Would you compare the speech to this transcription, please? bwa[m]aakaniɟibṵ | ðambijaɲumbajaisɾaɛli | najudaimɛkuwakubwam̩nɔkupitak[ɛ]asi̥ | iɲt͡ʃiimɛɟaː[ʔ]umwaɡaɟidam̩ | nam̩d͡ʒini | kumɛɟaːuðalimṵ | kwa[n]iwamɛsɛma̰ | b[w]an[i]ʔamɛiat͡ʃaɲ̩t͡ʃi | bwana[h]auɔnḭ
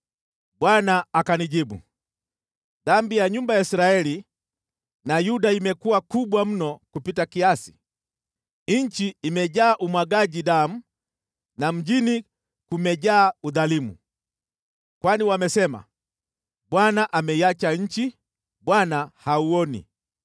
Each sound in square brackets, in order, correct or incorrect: incorrect: n, incorrect: i, correct, correct, correct, incorrect: a, correct

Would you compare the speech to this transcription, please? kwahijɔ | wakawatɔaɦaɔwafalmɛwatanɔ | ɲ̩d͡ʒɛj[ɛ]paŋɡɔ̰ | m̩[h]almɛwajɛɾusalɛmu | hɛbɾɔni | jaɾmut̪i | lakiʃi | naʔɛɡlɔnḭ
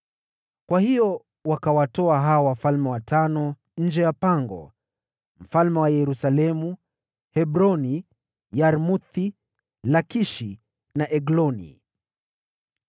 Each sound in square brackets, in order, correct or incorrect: incorrect: a, incorrect: f

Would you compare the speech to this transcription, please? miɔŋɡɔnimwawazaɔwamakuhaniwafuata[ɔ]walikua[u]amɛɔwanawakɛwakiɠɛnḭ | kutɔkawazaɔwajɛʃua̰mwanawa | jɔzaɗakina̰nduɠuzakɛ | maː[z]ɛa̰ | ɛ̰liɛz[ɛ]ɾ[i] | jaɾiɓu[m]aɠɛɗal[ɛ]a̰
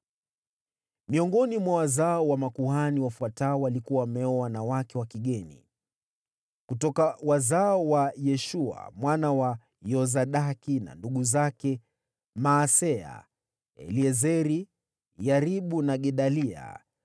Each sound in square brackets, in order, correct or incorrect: correct, incorrect: w, incorrect: s, correct, correct, incorrect: n, incorrect: i

